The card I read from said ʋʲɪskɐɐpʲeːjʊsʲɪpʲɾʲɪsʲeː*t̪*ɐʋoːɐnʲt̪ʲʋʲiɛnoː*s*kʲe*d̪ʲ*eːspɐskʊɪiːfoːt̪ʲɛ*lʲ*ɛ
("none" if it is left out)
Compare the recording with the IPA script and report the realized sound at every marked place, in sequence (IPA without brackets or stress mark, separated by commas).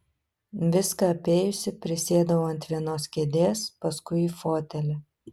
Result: d̪, s, d̪ʲ, lʲ